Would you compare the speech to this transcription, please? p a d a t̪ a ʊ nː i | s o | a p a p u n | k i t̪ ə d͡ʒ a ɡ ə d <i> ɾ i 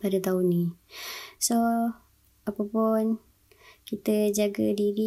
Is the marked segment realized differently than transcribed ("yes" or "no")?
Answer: no